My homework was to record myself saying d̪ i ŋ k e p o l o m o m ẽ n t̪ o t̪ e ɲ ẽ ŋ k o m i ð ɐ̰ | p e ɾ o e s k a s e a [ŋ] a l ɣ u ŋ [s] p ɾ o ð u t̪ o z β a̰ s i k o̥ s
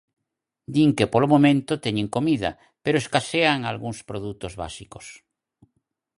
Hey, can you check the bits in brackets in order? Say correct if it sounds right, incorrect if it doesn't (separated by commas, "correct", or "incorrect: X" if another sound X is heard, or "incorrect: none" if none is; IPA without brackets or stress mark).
correct, correct